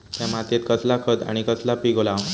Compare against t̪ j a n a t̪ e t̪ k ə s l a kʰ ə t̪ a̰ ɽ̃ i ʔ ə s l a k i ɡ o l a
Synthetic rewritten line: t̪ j a m a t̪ e t̪ k ə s l a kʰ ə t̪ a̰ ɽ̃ i k ə s l a p i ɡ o l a